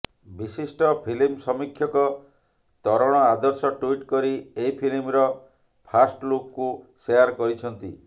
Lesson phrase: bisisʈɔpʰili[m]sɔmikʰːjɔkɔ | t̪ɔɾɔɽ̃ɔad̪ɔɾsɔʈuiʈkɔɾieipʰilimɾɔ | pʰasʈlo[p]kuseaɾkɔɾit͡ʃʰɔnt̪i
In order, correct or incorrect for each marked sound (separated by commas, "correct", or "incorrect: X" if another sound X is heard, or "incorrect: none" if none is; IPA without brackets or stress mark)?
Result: correct, incorrect: k